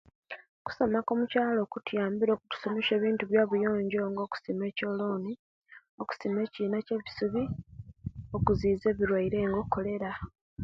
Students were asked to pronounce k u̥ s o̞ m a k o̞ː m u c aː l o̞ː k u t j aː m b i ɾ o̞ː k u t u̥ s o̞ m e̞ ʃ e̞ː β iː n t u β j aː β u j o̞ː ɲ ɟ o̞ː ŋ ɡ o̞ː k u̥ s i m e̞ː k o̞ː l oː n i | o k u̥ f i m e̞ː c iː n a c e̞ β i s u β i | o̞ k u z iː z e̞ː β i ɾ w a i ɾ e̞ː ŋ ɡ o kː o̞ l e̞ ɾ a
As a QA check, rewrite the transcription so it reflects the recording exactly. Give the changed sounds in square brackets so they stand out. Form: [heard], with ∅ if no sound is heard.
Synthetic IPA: k u̥ s o̞ m a k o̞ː m u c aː l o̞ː k u t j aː m b i ɾ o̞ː k u t u̥ s o̞ m e̞ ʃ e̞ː β iː n t u β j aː β u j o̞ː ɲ ɟ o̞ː ŋ ɡ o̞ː k u̥ s i m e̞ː [c] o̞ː l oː n i | o k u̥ [s] i m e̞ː c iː n a c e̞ β i s u β i | o̞ k u z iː z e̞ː β i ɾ w a i ɾ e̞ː ŋ ɡ o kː o̞ l e̞ ɾ a